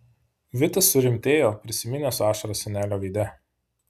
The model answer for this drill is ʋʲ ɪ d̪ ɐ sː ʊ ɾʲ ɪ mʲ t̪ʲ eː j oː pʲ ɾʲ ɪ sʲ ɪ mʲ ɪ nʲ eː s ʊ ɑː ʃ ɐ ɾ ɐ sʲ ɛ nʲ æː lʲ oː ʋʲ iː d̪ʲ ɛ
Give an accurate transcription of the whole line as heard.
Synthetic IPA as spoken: ʋʲ ɪ t̪ ɐ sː ʊ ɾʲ ɪ mʲ t̪ʲ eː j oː pʲ ɾʲ ɪ sʲ ɪ mʲ ɪ nʲ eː s ʊ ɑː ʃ ɐ ɾ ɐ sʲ ɛ nʲ æː lʲ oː ʋʲ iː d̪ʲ ɛ